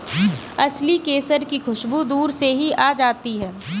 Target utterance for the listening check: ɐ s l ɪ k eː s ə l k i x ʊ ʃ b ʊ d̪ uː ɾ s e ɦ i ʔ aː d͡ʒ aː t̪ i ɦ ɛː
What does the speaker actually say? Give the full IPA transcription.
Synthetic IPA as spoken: ɐ s l i k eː s ə ɾ k i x ʊ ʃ b u d̪ uː ɾ s e ɦ i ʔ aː d͡ʒ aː t̪ i ɦ ɛː